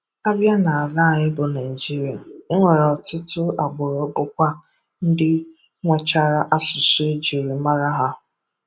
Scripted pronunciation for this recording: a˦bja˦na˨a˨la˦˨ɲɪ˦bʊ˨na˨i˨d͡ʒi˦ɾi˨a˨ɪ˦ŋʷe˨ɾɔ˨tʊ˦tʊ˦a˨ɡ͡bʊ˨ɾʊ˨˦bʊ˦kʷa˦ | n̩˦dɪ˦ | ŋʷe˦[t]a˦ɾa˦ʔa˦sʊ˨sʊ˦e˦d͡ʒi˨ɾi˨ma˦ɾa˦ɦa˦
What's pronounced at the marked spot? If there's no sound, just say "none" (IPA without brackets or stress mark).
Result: t͡ʃ